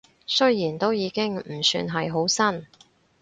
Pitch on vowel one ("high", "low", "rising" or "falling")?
high